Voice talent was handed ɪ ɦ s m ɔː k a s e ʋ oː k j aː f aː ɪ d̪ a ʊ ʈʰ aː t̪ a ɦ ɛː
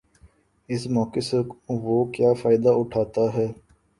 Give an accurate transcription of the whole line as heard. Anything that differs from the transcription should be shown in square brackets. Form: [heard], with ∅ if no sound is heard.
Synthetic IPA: ɪ [∅] s m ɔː k [e] s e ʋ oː k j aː f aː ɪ d̪ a ʊ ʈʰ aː t̪ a ɦ ɛː